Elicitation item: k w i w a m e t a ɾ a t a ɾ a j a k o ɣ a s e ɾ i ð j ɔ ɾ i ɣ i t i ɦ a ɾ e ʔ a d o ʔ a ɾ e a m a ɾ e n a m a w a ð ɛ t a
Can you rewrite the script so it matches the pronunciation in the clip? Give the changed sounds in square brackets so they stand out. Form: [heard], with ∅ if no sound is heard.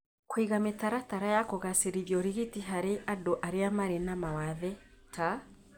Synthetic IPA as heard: k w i [ɣ] a m e t a ɾ a t a ɾ a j a k o ɣ a s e ɾ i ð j ɔ ɾ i ɣ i t i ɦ a ɾ e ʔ a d o ʔ a ɾ e a m a ɾ e n a m a w a ð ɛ t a